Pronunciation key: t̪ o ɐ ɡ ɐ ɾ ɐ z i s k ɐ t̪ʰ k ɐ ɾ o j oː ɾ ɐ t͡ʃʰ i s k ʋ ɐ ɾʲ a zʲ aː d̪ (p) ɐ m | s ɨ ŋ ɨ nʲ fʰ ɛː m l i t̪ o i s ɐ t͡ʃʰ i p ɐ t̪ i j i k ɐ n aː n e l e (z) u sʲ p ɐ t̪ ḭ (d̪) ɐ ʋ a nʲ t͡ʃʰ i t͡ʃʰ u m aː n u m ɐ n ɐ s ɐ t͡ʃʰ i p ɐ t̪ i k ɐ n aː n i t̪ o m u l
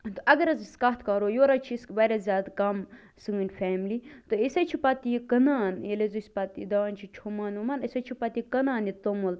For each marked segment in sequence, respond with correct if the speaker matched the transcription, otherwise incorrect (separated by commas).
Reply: incorrect, correct, correct